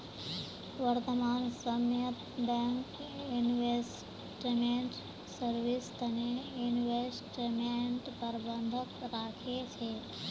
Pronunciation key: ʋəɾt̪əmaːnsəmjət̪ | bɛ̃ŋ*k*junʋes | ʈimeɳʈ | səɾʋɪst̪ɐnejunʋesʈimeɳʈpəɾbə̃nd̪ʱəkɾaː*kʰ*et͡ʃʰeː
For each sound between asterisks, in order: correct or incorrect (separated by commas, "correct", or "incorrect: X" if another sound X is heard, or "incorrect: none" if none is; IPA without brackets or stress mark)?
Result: correct, correct